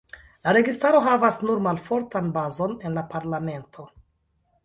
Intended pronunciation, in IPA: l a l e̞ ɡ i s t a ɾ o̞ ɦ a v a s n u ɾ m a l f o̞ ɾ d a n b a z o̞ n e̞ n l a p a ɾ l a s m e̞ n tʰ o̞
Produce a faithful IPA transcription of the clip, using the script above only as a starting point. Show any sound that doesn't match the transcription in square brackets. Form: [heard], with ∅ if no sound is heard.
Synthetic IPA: l a [ɾ] e̞ ɡ i s t a ɾ o̞ ɦ a v a s n u ɾ m a l f o̞ ɾ [t] a n b a z o̞ n e̞ n l a p a ɾ l a [∅] m e̞ n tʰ o̞